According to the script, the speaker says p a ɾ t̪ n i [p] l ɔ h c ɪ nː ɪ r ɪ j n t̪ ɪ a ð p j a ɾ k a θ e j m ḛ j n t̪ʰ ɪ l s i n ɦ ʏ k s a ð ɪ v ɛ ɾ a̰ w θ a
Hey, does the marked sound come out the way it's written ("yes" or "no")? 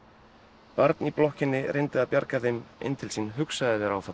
yes